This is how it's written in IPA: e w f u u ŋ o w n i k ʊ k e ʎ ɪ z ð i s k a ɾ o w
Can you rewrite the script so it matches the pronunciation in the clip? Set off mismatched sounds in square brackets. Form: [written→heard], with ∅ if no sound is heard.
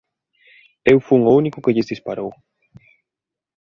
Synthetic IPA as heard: e w f u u ŋ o [w→u] n i k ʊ k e ʎ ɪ z ð i s [k→p] a ɾ o w